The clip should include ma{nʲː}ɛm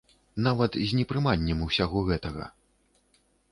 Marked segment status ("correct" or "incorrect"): correct